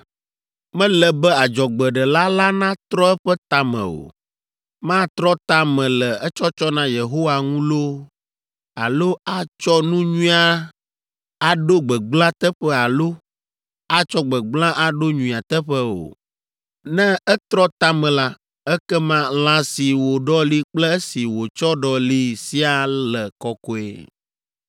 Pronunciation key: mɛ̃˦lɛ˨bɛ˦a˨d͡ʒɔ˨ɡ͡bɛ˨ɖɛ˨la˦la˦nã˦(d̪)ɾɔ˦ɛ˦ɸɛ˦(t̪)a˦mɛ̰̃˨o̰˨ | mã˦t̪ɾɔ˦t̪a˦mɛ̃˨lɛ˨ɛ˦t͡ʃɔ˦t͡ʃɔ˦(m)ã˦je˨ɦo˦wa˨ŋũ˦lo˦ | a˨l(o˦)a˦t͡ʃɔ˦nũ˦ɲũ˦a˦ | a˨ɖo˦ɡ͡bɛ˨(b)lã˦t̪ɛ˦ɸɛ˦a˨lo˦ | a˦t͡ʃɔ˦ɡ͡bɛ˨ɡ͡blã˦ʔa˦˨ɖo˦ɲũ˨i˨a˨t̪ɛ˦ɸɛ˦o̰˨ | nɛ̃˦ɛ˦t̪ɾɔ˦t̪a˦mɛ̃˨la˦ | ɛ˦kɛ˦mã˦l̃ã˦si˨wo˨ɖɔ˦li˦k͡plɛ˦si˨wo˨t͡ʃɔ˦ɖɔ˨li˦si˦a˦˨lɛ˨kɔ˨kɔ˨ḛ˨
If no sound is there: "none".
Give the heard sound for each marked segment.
t̪, t̪, n, o˦, ɡ͡b

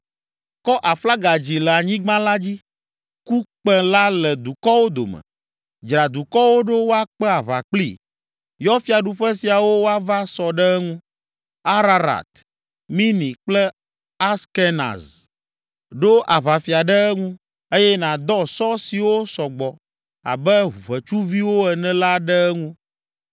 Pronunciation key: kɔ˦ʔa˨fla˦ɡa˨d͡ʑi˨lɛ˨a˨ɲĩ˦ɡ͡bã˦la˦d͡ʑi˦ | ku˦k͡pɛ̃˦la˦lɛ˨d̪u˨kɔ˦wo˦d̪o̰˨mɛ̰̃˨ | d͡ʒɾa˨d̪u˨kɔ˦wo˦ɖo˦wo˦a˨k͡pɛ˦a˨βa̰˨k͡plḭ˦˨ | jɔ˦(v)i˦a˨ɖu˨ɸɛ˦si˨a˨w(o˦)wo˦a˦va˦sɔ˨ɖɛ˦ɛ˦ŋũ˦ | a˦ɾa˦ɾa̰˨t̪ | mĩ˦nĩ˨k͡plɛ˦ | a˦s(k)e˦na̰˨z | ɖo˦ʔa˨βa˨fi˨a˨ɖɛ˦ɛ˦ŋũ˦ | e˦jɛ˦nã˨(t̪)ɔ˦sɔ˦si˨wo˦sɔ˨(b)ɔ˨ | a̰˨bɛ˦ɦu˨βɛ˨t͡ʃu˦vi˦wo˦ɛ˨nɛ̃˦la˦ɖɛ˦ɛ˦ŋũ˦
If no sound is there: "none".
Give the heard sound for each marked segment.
f, o˦, k, d̪, ɡ͡b

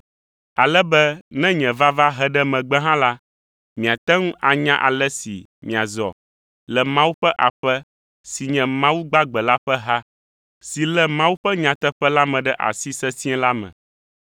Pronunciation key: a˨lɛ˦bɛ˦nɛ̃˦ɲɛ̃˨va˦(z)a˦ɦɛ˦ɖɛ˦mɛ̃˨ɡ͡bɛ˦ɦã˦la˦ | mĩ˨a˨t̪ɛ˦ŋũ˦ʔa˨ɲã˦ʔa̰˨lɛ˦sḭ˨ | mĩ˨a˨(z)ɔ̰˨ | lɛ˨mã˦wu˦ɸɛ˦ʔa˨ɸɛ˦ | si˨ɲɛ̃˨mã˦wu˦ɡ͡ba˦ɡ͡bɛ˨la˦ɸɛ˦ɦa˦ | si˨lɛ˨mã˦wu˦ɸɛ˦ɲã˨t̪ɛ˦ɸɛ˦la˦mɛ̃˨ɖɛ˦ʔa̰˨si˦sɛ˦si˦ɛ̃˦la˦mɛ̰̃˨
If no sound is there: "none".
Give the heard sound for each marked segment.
v, z

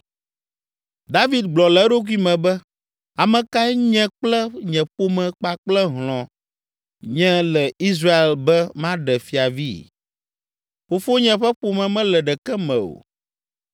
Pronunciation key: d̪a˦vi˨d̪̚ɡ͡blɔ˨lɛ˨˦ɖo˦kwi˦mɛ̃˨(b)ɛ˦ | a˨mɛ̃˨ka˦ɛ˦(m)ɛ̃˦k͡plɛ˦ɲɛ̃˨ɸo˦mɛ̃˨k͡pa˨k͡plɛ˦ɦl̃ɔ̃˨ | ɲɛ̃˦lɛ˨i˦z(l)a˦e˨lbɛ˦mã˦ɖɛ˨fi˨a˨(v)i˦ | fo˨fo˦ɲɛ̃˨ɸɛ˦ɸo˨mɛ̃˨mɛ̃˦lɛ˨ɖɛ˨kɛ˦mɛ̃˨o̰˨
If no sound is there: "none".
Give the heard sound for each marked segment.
b, ɲ, ɾ, v

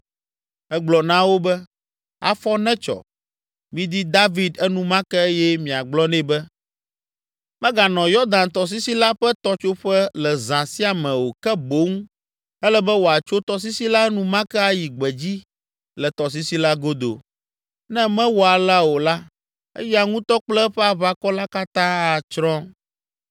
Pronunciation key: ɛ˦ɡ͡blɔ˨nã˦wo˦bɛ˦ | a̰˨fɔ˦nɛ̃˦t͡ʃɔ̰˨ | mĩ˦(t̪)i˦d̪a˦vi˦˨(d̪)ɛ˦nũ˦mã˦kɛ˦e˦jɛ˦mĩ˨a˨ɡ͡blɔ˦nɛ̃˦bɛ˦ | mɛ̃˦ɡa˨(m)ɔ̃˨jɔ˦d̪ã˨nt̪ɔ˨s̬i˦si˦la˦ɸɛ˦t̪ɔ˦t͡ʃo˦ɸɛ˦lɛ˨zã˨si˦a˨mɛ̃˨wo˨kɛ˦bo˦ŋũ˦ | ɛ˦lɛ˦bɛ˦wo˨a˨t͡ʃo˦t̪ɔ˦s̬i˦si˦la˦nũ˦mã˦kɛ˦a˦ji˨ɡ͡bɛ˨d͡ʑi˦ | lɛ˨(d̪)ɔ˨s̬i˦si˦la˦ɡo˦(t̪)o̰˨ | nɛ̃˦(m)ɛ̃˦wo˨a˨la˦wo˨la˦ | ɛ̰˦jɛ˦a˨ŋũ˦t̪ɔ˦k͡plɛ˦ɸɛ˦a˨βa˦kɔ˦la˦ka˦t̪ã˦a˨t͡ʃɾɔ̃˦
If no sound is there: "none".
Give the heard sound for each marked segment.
d̪, d̪, n, t̪, d̪, m

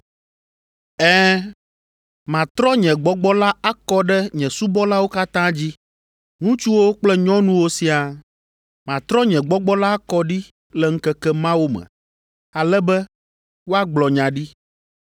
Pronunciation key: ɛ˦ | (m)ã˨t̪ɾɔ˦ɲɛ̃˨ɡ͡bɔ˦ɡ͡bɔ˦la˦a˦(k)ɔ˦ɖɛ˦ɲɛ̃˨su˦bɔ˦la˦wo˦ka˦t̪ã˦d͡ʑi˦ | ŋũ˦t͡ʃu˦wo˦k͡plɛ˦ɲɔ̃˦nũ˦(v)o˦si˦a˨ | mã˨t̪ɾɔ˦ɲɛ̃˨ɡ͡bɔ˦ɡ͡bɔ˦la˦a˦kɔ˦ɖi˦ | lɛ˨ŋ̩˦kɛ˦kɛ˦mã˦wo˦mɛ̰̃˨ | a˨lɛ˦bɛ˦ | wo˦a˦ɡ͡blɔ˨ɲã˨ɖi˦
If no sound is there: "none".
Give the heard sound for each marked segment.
m, k, w

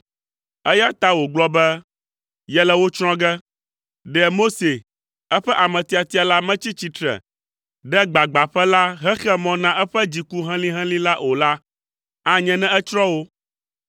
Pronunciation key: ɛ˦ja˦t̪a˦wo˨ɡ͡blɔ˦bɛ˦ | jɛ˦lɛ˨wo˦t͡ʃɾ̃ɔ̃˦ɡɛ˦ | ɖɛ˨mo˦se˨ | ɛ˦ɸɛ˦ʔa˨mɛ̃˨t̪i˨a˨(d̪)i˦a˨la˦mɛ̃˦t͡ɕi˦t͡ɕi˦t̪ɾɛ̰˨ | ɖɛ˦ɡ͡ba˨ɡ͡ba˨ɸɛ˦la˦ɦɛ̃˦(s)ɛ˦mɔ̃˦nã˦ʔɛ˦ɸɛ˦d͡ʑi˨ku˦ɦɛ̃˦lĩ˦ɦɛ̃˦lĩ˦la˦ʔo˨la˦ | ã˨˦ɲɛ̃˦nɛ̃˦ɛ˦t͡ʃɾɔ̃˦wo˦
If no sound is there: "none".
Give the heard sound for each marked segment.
t̪, x

